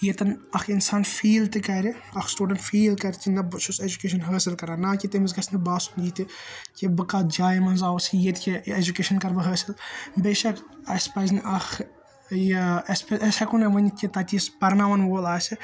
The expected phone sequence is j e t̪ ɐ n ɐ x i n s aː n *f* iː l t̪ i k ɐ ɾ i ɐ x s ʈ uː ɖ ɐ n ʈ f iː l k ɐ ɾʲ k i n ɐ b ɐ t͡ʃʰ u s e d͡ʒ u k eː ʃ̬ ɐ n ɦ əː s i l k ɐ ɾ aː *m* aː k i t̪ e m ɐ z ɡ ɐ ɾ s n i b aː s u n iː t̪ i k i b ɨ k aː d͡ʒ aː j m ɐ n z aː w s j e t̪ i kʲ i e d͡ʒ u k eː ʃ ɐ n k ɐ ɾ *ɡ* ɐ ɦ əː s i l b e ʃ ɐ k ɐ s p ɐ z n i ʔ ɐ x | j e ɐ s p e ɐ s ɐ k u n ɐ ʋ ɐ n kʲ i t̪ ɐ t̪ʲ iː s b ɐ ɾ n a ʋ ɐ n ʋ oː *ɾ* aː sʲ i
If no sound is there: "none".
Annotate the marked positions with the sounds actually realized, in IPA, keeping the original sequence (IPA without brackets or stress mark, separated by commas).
f, n, b, l